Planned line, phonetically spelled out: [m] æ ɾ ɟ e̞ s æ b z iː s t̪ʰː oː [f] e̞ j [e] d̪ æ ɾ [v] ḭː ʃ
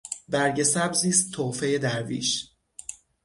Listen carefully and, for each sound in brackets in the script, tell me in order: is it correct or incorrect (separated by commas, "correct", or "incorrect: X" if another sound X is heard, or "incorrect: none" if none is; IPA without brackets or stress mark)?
incorrect: b, correct, correct, correct